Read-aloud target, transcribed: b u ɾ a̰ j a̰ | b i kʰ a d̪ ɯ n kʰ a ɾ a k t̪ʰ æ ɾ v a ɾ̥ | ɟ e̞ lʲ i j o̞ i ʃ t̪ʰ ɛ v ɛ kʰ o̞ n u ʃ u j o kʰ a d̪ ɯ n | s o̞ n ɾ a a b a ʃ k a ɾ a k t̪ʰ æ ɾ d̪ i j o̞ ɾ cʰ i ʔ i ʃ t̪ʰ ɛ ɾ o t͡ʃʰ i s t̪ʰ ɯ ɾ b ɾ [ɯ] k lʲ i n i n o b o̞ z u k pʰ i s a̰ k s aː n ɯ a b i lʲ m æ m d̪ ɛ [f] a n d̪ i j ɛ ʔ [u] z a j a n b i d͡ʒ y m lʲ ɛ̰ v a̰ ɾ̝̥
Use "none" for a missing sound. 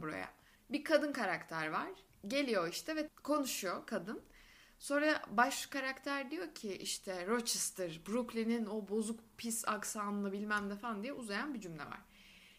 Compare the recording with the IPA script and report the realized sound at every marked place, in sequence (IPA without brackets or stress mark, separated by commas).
u, f, u